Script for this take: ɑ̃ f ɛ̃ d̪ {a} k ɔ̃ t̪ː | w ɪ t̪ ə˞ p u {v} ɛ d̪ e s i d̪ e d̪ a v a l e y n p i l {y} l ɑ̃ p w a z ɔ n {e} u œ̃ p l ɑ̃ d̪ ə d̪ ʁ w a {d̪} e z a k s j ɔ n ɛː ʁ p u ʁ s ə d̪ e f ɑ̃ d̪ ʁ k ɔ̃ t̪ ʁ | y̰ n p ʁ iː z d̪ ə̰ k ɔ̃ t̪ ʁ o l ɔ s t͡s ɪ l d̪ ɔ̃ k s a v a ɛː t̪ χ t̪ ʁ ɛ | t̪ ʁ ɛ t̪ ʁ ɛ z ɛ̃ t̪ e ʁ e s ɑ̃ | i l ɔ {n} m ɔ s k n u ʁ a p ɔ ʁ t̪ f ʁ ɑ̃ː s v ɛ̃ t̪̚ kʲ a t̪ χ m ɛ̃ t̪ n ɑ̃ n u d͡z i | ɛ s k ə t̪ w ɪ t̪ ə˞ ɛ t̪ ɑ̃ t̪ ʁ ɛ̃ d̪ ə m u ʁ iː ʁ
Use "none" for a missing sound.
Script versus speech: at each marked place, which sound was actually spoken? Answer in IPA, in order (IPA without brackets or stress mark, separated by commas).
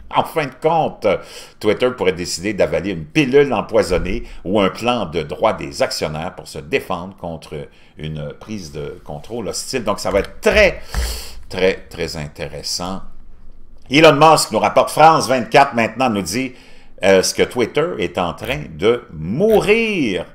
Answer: ə, ʁ, y, e, d̪, n